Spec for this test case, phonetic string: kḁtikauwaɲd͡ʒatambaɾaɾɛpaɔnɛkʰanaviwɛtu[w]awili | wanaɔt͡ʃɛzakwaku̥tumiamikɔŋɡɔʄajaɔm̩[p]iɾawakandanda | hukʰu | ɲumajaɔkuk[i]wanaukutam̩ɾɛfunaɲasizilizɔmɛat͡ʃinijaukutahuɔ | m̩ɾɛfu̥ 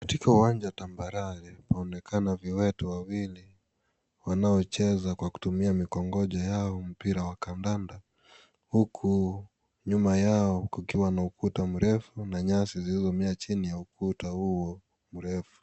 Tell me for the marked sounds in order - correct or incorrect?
correct, correct, correct

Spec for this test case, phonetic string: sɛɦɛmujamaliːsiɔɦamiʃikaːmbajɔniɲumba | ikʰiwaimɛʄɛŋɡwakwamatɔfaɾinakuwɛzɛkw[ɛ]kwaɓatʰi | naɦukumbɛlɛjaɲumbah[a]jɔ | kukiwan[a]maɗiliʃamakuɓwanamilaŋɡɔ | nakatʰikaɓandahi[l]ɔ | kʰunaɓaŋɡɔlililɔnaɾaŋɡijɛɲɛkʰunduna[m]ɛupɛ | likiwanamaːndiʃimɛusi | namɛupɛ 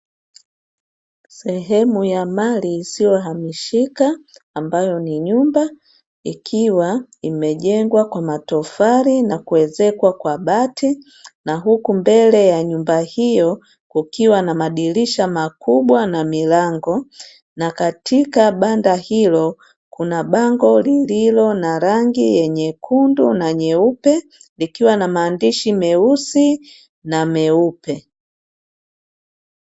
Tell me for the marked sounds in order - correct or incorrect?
incorrect, incorrect, correct, correct, incorrect

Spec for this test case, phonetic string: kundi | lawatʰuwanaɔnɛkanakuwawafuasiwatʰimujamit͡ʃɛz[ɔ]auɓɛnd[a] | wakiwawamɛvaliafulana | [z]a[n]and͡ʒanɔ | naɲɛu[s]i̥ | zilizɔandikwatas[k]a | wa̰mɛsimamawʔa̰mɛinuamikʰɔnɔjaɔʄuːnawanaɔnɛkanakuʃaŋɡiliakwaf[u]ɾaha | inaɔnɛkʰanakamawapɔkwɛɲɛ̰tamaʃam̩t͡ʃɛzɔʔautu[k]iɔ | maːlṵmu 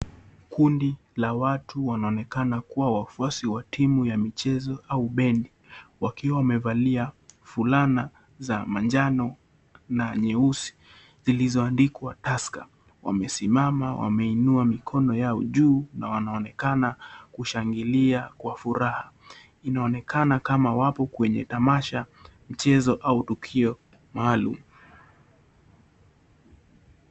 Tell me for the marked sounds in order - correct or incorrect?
correct, incorrect, correct, incorrect, correct, correct, correct, incorrect

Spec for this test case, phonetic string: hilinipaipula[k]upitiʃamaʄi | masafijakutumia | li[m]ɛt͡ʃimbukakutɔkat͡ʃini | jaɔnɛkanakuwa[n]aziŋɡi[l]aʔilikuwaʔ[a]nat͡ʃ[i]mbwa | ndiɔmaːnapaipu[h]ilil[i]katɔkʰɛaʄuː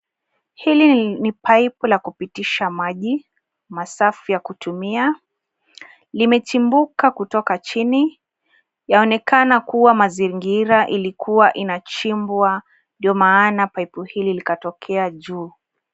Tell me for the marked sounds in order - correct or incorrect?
correct, correct, incorrect, incorrect, incorrect, correct, correct, correct

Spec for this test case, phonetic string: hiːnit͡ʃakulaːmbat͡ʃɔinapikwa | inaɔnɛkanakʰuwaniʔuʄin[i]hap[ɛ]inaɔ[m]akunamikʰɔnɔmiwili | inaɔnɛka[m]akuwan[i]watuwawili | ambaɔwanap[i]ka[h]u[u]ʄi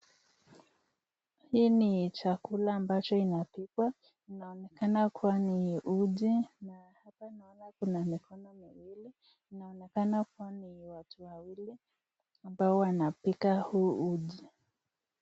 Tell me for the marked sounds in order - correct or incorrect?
incorrect, incorrect, incorrect, incorrect, correct, correct, correct, correct

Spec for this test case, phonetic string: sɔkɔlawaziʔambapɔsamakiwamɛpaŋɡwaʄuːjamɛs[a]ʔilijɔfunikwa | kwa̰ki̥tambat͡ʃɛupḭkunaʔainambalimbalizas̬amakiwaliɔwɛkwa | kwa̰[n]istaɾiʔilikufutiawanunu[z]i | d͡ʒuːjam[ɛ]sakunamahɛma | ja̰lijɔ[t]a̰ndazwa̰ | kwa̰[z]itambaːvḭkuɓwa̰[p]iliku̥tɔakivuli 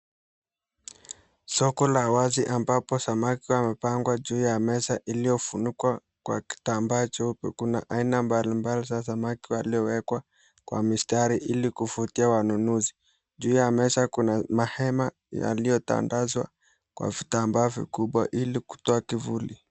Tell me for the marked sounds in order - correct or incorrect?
correct, incorrect, correct, correct, correct, incorrect, incorrect

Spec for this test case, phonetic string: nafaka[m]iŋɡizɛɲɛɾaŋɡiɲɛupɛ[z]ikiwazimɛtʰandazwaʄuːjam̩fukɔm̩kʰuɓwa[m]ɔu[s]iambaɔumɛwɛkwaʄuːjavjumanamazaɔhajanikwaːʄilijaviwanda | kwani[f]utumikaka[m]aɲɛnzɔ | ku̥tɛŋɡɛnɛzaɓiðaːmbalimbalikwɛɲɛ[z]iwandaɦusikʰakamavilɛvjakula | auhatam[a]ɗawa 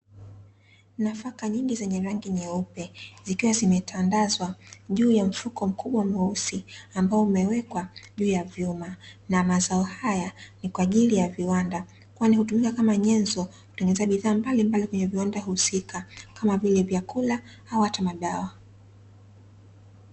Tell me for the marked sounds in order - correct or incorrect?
incorrect, correct, correct, correct, incorrect, correct, incorrect, correct

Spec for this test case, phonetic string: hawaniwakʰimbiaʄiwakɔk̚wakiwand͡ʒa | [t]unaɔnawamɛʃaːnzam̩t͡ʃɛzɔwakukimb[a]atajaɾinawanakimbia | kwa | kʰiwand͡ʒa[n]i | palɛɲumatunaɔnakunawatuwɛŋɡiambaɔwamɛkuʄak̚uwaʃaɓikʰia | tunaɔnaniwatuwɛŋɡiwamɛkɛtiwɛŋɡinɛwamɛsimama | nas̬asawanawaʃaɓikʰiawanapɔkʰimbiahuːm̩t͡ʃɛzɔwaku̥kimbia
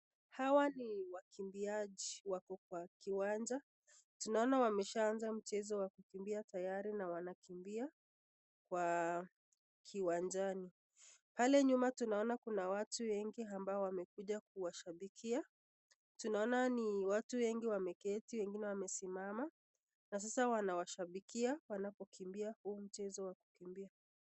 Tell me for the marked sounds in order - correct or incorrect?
correct, incorrect, correct

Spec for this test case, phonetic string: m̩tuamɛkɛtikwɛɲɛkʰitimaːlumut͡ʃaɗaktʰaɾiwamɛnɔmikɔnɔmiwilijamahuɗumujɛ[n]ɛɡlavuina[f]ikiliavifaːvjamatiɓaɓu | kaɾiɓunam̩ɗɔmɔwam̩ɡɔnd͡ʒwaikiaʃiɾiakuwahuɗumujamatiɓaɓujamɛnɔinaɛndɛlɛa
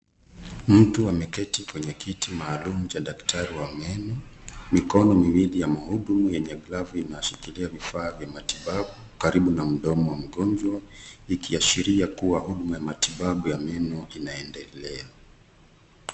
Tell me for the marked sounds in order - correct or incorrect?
incorrect, incorrect

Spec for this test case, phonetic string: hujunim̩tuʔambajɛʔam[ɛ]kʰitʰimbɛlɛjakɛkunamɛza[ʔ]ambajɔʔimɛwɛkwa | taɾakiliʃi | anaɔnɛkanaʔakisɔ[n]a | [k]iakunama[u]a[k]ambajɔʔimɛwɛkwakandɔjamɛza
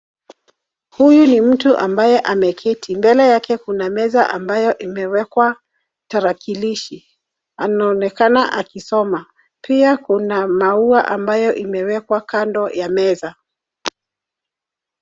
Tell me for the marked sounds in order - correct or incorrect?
correct, correct, incorrect, incorrect, correct, incorrect

